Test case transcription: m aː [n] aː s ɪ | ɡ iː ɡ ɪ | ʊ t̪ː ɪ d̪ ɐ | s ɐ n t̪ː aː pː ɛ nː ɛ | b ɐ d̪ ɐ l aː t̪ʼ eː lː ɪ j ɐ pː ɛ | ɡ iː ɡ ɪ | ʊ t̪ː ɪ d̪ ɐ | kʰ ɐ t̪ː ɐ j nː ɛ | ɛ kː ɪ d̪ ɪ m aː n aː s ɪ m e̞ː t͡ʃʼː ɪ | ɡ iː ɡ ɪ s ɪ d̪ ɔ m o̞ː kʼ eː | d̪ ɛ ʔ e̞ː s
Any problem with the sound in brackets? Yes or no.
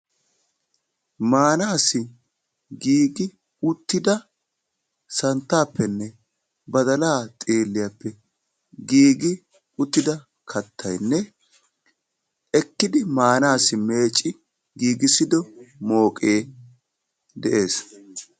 no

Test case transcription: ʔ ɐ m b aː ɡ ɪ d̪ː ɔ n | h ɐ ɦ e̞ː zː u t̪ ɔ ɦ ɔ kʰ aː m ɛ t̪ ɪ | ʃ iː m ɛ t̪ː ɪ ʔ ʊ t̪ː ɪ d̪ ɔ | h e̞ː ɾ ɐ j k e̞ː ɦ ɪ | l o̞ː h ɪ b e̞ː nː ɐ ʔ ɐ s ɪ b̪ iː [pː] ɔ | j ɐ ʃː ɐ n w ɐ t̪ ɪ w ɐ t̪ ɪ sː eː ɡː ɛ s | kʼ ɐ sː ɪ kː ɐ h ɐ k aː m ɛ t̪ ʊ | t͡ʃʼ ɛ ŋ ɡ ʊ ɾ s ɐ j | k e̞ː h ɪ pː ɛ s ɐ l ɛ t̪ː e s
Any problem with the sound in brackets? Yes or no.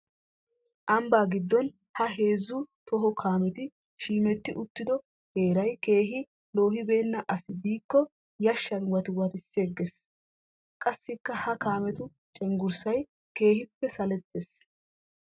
yes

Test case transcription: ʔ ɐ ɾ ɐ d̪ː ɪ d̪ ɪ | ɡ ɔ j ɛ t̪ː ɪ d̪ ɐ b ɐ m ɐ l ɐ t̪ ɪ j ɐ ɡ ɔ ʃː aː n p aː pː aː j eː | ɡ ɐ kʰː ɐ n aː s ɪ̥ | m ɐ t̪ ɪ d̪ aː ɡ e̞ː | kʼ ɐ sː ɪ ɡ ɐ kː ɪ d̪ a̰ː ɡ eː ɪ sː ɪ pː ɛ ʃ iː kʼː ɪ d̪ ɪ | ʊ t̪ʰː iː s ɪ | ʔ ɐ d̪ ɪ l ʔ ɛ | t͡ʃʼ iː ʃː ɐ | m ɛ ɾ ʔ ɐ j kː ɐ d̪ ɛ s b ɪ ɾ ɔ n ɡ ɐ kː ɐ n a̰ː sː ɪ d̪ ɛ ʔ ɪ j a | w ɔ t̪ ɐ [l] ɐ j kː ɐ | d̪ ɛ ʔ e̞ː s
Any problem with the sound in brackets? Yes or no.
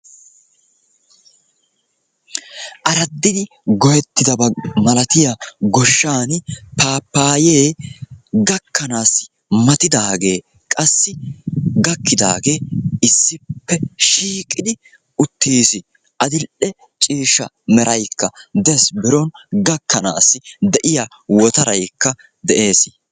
yes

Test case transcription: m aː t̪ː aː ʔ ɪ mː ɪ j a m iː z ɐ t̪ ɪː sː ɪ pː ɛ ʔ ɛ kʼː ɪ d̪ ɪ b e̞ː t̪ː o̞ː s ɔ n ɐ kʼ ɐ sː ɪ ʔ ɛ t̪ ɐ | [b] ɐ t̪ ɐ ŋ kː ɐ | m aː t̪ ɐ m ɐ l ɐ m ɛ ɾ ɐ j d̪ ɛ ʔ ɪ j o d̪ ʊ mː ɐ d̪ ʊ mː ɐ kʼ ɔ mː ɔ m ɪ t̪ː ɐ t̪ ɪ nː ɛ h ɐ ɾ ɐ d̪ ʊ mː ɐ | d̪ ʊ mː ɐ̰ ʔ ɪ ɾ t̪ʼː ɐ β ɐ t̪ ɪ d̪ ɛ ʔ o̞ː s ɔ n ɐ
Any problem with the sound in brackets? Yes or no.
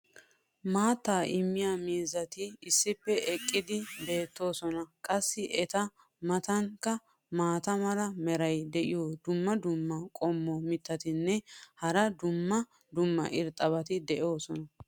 yes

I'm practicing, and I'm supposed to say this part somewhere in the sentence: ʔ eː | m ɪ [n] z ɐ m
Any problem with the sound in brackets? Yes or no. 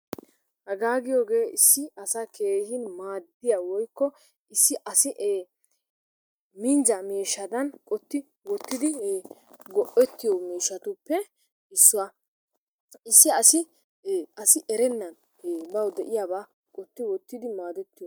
no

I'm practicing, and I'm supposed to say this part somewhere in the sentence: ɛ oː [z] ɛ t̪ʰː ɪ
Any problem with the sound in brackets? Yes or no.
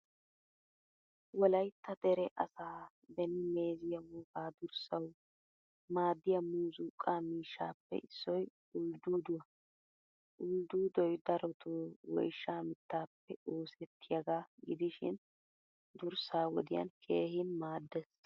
yes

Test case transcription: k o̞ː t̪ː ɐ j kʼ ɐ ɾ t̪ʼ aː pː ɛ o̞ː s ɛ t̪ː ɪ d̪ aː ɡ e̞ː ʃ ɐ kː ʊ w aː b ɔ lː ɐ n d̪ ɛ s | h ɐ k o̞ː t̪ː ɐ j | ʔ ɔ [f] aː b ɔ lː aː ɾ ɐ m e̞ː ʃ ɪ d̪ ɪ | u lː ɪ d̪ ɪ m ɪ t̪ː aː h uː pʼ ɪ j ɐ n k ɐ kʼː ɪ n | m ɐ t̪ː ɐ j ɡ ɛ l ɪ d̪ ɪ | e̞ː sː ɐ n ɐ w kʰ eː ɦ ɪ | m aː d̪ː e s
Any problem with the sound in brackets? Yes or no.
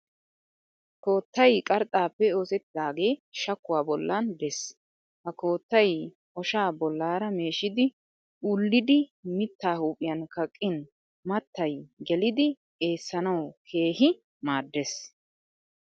yes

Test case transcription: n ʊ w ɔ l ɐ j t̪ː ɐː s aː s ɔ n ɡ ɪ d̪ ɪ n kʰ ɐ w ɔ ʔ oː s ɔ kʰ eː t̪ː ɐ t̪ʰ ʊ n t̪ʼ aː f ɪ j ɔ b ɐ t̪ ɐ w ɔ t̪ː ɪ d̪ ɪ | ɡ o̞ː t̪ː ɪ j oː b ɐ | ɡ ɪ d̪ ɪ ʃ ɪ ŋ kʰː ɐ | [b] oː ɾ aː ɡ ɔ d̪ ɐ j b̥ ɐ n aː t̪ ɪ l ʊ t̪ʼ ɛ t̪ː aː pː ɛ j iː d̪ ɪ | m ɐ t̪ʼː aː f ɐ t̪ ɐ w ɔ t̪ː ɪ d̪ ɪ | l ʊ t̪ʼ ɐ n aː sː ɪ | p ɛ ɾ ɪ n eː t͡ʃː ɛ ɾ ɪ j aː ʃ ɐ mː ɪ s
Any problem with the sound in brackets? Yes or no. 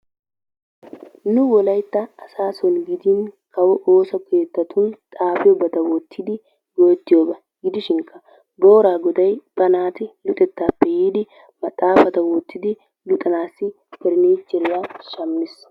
no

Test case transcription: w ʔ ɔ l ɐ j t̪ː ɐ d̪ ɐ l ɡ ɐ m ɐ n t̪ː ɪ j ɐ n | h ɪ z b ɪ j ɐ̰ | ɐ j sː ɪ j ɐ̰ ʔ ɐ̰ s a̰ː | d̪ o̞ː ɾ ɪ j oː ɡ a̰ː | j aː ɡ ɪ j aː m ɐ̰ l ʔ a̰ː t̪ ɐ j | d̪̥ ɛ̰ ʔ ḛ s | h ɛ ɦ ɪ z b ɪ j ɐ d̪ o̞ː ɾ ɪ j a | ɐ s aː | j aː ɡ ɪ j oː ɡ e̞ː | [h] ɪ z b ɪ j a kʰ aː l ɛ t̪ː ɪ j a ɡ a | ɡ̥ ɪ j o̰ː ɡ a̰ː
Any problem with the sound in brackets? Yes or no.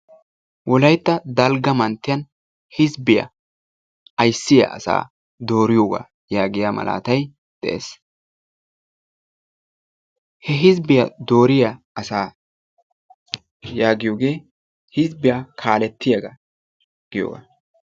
no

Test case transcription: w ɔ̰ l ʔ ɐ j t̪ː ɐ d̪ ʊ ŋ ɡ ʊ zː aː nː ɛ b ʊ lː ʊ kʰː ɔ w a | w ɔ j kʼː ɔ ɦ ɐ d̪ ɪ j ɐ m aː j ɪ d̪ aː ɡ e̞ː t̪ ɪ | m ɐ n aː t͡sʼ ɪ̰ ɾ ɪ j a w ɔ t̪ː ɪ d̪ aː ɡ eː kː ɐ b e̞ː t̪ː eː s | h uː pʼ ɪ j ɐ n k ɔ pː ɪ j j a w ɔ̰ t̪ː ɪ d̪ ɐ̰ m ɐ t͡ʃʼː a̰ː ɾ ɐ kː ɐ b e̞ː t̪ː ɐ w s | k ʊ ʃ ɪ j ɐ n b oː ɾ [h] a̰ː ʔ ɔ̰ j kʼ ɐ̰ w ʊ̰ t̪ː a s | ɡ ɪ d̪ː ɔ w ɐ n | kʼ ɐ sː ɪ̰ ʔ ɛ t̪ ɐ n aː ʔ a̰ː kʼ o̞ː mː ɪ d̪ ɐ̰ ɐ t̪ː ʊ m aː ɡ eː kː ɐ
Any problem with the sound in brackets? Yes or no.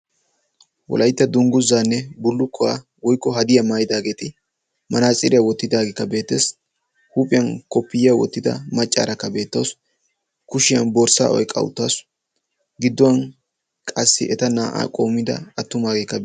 yes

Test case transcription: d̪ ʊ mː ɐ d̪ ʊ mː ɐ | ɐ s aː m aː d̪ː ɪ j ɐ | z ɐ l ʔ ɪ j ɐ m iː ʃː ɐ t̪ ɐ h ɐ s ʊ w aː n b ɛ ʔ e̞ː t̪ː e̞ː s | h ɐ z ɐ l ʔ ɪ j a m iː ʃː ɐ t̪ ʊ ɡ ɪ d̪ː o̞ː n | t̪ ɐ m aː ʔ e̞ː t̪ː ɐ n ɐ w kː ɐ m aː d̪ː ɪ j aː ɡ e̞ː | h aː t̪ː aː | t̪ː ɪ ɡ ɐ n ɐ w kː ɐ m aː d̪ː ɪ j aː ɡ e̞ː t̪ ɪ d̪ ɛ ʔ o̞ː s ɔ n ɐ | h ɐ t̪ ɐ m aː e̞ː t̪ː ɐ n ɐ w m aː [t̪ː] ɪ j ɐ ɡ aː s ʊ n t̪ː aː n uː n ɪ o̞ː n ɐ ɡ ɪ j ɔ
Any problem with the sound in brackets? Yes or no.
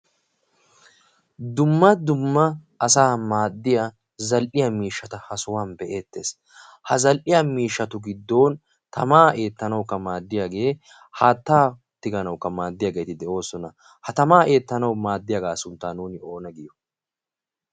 yes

